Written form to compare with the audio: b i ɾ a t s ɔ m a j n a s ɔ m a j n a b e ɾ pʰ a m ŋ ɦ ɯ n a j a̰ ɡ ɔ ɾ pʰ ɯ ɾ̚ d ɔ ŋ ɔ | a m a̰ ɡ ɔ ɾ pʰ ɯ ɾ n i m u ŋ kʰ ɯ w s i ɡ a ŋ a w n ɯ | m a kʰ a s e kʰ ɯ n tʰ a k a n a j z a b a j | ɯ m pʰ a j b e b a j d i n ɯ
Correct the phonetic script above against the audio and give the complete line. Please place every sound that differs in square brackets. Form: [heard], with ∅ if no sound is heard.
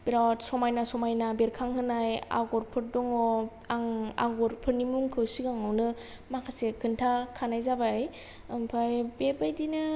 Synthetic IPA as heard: b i ɾ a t s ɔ m a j n a s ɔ m a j n a b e ɾ [kʰ] a [∅] ŋ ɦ ɯ n a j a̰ ɡ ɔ ɾ pʰ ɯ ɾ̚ d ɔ ŋ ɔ | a [ŋ] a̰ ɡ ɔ ɾ pʰ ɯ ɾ n i m u ŋ kʰ ɯ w s i ɡ a ŋ a w n ɯ | m a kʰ a s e kʰ ɯ n tʰ a [kʰ] a n a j z a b a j | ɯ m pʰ a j b e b a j d i n ɯ